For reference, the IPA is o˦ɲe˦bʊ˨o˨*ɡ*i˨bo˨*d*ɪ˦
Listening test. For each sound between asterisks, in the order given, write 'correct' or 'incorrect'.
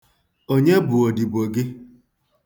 incorrect, incorrect

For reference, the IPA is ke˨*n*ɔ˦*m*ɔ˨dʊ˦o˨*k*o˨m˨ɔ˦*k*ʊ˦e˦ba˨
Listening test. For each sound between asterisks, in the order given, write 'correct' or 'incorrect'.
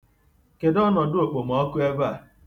incorrect, incorrect, incorrect, correct

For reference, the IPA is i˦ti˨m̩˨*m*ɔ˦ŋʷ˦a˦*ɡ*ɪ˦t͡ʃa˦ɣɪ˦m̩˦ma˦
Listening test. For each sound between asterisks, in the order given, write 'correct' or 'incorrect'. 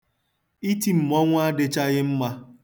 correct, incorrect

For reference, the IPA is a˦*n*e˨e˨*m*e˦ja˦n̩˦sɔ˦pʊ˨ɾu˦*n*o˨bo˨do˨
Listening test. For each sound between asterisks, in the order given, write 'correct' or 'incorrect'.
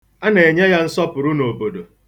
correct, incorrect, correct

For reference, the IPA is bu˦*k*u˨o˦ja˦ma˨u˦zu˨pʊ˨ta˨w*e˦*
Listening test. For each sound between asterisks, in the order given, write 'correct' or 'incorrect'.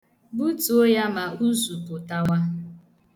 incorrect, incorrect

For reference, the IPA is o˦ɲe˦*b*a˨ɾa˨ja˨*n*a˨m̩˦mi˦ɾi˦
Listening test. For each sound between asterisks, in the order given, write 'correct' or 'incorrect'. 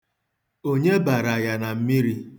correct, correct

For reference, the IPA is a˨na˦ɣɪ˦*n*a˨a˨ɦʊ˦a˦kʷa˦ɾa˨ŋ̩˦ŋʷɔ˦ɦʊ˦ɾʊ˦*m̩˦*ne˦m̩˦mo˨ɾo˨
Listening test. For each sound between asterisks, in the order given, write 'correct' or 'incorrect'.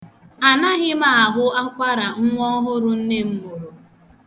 incorrect, incorrect

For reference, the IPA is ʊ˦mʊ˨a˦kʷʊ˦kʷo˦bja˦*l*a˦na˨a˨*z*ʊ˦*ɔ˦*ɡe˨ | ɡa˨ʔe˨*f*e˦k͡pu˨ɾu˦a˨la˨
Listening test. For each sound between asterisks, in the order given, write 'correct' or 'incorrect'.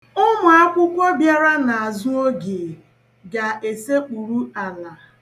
incorrect, correct, incorrect, incorrect

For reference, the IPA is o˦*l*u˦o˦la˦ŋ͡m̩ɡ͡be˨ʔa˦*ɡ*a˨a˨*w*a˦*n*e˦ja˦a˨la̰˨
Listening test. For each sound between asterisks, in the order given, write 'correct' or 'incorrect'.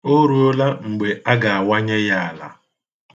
incorrect, correct, correct, incorrect

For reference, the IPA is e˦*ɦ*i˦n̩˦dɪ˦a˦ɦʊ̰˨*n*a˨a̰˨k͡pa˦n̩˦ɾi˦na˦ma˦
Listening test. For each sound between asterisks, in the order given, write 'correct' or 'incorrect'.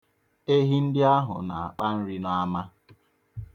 correct, correct

